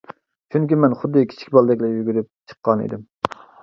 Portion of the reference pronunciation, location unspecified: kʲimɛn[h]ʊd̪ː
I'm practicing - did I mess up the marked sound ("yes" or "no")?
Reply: yes